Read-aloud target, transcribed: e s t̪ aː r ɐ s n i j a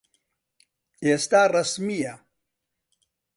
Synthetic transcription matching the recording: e s t̪ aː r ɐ s m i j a

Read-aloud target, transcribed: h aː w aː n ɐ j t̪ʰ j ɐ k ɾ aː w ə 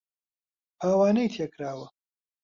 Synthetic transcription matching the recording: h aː w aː n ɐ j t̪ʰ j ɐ k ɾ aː w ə

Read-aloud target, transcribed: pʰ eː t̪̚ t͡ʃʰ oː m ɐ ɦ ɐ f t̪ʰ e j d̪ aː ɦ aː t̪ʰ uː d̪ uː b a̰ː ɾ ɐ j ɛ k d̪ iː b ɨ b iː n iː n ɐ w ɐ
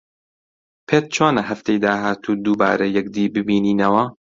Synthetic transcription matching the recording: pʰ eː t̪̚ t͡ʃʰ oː n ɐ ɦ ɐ f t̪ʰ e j d̪ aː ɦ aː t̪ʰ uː d̪ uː b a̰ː ɾ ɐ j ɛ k d̪ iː b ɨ b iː n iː n ɐ w ɐ

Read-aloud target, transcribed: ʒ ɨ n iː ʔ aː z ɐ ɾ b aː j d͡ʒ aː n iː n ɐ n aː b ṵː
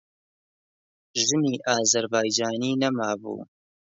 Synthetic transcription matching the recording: ʒ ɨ n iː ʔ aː z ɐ ɾ b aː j d͡ʒ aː n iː n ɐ m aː b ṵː

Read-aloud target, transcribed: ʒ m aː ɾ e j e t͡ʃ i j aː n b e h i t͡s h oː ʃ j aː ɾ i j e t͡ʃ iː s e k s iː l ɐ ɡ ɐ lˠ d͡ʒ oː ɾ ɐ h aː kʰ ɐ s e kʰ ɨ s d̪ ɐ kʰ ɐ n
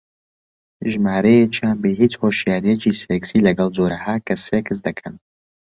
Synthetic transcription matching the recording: ʒ m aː ɾ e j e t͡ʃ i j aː n b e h i t͡s h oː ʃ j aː ɾ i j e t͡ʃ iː s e k s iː l ɐ ɡ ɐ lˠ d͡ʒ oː ɾ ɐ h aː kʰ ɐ s e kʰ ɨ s d̪ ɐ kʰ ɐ n

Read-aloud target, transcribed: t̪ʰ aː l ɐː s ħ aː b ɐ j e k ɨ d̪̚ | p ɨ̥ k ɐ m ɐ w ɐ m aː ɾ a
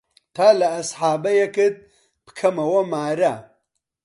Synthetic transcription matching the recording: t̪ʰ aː l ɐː s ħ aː b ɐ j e k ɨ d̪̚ | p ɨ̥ kʰ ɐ m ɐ w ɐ m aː ɾ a

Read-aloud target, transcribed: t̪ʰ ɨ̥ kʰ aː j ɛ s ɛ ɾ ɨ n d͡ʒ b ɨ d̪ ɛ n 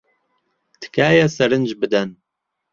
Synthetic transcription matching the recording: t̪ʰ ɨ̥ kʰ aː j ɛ s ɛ ɾ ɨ n d͡ʒ b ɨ d̪ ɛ n

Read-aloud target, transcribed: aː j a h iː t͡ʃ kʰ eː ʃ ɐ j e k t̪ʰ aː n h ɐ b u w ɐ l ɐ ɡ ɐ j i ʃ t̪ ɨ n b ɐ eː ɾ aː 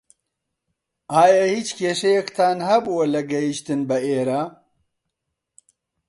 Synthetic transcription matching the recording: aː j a h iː t͡ʃ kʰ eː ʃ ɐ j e k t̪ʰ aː n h ɐ b u w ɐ l ɐ ɡ ɐ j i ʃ t̪ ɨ n b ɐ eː ɾ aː

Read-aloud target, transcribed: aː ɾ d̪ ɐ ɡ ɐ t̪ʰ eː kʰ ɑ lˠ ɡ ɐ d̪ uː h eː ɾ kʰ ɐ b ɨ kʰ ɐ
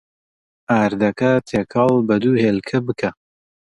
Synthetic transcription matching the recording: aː ɾ d̪ ɐ k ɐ t̪ʰ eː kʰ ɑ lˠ b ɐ d̪ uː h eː l kʰ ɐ b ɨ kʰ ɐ

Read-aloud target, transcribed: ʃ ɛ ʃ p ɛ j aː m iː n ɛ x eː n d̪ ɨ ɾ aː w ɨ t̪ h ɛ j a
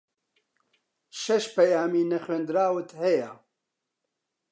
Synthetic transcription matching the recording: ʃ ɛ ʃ p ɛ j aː m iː n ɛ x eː n d̪ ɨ ɾ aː w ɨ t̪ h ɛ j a

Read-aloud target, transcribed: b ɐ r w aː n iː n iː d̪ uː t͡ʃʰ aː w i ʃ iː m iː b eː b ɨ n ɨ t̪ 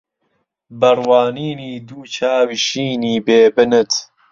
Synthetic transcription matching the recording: b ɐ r w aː n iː n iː d̪ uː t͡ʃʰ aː w i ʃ iː n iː b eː b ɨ n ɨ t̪

